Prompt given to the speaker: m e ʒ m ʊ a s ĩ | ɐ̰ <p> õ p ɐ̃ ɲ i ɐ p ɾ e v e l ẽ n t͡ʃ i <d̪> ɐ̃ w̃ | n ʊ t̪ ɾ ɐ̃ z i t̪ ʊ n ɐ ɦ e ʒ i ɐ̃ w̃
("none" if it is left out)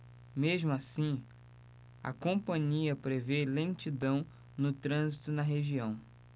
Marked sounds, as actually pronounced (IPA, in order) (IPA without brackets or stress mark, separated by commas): k, d̪